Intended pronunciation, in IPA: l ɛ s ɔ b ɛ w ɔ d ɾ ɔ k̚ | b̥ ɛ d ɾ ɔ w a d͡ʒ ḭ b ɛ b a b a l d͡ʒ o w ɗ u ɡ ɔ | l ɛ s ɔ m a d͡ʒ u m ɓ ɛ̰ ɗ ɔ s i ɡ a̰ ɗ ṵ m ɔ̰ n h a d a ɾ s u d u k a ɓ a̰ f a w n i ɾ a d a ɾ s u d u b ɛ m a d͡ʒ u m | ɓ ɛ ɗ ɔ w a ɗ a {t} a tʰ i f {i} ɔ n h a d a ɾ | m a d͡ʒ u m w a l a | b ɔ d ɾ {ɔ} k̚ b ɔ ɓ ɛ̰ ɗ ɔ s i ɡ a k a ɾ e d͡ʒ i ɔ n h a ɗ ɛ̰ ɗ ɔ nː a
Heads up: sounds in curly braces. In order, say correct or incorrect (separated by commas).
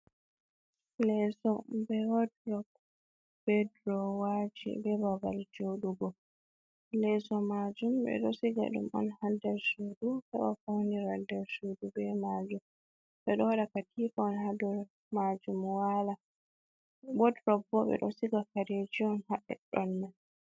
incorrect, incorrect, correct